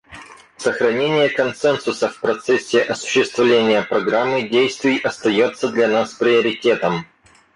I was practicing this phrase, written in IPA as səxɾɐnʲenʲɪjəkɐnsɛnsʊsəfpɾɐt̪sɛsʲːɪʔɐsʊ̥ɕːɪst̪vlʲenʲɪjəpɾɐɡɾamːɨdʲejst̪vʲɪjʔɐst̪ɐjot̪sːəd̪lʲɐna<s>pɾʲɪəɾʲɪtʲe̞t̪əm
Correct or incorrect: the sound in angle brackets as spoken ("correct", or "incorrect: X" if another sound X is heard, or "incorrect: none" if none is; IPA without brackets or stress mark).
correct